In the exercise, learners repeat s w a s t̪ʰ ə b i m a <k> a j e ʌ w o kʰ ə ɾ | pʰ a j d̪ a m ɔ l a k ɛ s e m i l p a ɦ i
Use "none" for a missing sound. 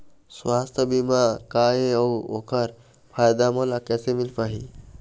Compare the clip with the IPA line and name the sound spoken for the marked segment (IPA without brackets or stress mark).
k